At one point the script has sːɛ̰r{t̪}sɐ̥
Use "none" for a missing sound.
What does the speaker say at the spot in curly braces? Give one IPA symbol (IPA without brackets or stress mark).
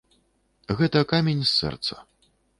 t̪